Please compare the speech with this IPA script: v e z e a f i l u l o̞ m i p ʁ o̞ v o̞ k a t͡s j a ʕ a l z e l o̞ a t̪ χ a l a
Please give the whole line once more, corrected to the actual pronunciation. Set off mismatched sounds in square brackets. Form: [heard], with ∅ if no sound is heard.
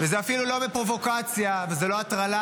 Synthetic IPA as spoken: v e z e a f i l u l o̞ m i p ʁ o̞ v o̞ k a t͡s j a [v] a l z e l o̞ a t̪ [ʁ] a l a